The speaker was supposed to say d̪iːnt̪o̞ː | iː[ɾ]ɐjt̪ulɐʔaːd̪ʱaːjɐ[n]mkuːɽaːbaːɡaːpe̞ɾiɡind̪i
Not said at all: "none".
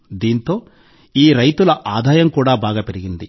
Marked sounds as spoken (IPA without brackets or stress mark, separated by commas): ɾ, none